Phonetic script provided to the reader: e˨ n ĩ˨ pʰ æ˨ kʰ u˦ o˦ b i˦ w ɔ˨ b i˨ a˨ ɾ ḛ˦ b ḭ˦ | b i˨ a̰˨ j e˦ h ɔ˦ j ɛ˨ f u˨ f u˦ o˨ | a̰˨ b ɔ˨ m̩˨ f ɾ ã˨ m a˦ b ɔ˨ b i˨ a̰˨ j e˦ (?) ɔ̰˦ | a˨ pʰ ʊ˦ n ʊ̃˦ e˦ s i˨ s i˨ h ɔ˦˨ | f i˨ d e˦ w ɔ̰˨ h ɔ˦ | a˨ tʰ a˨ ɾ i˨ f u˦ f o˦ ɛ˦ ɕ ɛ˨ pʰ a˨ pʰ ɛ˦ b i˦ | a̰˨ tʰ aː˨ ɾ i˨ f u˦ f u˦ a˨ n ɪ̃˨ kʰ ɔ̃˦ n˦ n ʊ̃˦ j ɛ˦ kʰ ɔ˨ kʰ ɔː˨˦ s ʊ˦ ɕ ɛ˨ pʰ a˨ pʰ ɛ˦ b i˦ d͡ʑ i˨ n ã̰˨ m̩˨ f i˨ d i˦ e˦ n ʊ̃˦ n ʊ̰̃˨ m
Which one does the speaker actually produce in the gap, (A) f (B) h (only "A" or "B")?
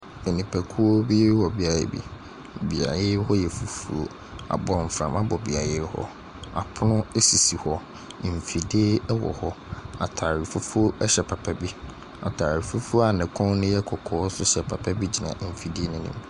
B